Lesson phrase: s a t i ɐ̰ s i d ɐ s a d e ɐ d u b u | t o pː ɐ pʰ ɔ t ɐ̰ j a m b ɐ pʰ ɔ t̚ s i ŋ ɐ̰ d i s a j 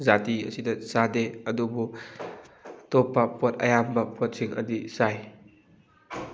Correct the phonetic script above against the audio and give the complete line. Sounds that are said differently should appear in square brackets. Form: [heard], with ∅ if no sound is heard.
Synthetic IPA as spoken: [z] a t i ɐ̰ s i d ɐ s a d e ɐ d u b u | t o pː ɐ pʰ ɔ t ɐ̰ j a m b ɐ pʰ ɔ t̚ s i ŋ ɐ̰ d i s a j